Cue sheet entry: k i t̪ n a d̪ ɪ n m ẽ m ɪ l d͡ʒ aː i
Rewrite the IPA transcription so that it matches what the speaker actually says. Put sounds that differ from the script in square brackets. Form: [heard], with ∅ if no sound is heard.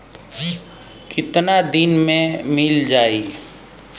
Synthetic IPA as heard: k [ɪ] t̪ n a d̪ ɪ n m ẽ m ɪ l d͡ʒ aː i